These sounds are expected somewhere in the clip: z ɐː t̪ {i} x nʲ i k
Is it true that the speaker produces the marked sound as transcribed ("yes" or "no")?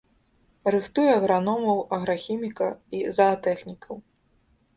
no